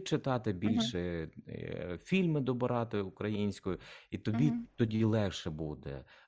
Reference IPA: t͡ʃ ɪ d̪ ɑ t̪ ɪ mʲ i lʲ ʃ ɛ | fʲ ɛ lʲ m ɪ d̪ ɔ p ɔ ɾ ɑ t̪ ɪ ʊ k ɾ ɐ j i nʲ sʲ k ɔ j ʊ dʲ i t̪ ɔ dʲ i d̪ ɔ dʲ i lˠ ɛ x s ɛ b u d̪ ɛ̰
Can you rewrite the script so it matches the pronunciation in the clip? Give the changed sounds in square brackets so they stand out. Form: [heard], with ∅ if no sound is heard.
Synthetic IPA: t͡ʃ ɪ [t̪] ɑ t̪ ɪ [bʲ] i lʲ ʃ ɛ | fʲ [i] lʲ m ɪ d̪ ɔ [b] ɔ ɾ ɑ t̪ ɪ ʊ k ɾ ɐ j i nʲ sʲ k ɔ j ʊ [∅] i t̪ ɔ [bʲ] i [t̪] ɔ dʲ i lˠ ɛ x [ʃ] ɛ b u d̪ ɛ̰